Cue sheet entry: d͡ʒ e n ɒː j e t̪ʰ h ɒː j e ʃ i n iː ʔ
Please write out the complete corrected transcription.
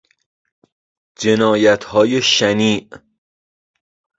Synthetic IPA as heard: d͡ʒ e n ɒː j æ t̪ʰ h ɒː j e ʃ æ n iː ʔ

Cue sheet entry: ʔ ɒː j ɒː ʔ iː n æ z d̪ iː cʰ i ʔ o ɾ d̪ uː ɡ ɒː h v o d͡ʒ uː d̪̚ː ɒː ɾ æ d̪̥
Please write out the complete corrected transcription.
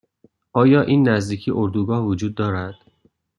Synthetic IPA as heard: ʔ ɒː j ɒː ʔ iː nː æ z d̪ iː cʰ i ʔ o ɾ d̪ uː ɡ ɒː h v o d͡ʒ uː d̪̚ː ɒː ɾ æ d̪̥

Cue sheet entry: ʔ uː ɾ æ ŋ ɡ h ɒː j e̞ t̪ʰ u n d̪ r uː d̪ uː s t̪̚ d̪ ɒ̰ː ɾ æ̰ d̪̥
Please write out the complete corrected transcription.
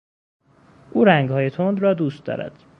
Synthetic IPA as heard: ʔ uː ɾ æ ŋ ɡ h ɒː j e̞ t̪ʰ o n d̪ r ɒː d̪ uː s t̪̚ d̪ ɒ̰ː ɾ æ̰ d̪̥

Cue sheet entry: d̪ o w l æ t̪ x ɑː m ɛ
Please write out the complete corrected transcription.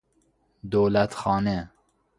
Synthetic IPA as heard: d̪ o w l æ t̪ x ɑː n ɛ

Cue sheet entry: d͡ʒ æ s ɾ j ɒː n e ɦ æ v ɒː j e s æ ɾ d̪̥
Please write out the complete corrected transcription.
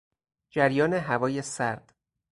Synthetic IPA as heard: d͡ʒ æ ɾ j ɒː n e ɦ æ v ɒː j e s æ ɾ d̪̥

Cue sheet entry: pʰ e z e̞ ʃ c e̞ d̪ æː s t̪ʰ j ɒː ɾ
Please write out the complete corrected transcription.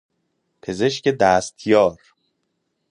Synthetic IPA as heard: pʰ e z e̞ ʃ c e̞ d̪ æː s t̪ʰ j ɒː ɾ

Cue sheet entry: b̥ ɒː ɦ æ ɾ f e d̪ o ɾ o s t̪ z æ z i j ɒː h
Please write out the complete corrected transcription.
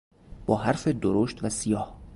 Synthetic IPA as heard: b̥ ɒː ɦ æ ɾ f e d̪ o ɾ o ʃ t̪ v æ s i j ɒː h

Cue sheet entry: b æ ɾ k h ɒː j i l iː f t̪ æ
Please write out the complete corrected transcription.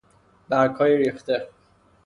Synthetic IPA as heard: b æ ɾ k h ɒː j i ɾ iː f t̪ e

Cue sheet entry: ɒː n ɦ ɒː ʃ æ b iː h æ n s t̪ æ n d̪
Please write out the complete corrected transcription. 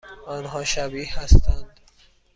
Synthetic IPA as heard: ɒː n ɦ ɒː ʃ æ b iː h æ s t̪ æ n d̪

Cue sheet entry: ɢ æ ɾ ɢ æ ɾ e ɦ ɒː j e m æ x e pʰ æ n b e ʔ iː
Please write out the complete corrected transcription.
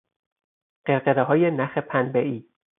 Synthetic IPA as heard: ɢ e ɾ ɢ e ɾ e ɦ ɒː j e n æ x e pʰ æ n b e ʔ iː

